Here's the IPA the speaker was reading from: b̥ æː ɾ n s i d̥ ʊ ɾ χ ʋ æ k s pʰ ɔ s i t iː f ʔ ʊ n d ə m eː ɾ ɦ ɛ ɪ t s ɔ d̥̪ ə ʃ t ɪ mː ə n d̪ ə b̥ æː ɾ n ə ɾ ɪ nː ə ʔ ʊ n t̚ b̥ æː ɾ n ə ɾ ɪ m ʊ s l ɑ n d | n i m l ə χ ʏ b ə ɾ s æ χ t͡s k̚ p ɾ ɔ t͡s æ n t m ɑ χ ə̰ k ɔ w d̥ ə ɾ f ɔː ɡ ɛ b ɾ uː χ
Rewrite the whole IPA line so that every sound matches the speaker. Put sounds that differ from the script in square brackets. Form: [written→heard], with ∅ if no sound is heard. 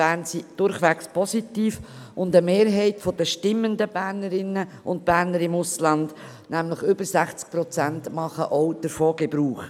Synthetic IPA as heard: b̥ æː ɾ n s i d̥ ʊ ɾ χ ʋ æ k s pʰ ɔ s i t iː f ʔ ʊ n d ə m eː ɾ ɦ ɛ ɪ t [s→f] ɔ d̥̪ ə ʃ t ɪ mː ə n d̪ ə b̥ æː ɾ n ə ɾ ɪ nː ə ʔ ʊ n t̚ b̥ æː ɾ n ə ɾ ɪ m ʊ s l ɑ n d | n [i→æ] m l ə χ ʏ b ə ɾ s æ χ t͡s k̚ p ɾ ɔ t͡s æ n t m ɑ χ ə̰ [k→ʔ] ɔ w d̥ ə ɾ f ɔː ɡ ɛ b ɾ uː χ